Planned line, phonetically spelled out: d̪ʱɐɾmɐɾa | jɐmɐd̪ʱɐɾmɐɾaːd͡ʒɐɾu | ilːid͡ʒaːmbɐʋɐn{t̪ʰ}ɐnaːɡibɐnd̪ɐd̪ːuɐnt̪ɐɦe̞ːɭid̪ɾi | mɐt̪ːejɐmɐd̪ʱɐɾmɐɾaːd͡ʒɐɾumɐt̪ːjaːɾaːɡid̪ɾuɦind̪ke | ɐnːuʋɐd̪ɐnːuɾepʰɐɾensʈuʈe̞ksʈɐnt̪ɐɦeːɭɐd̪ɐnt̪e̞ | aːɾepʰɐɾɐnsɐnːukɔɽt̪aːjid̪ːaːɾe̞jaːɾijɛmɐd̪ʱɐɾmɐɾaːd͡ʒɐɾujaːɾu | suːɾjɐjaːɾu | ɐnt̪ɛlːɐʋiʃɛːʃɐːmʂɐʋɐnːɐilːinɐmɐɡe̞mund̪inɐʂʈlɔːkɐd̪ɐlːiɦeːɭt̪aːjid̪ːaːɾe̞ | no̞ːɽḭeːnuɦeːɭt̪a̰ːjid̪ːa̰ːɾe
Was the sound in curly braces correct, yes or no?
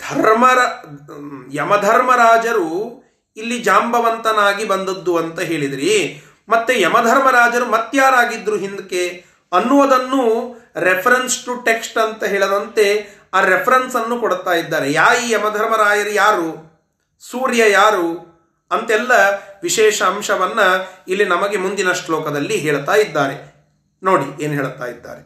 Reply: no